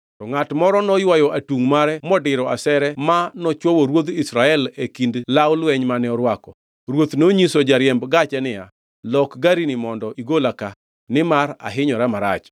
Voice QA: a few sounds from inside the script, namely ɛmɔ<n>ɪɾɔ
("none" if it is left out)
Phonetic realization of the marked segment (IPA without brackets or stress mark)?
d